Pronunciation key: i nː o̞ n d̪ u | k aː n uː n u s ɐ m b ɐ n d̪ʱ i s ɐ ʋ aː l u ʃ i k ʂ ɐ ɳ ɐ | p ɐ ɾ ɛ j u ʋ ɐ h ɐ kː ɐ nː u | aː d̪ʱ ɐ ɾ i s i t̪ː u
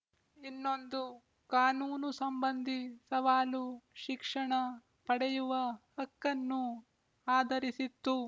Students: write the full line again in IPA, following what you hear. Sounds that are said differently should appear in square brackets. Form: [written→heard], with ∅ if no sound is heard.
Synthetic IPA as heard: i nː o̞ n d̪ u | k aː n uː n u s ɐ m b ɐ n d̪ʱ i s ɐ ʋ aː l u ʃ i k ʂ ɐ ɳ ɐ | p ɐ [ɾ→ɽ] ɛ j u ʋ ɐ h ɐ kː ɐ nː u | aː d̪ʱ ɐ ɾ i s i t̪ː u